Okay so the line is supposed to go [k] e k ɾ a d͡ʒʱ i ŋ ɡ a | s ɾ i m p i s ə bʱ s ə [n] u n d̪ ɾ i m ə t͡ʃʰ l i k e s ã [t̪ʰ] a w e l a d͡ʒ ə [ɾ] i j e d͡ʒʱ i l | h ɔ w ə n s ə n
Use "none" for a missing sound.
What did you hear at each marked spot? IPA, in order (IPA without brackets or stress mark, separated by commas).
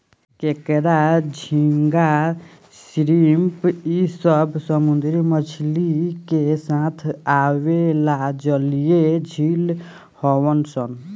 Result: k, m, t̪ʰ, l